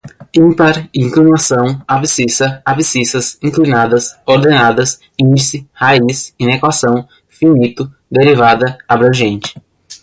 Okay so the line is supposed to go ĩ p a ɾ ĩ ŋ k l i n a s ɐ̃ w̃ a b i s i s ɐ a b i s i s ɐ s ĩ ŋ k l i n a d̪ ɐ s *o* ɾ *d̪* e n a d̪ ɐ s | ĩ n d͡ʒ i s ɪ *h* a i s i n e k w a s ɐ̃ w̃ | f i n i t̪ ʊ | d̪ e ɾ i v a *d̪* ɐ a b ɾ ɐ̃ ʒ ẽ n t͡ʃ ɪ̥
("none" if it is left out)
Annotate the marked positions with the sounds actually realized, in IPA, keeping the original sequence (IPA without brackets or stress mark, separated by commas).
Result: o, d̪, h, d̪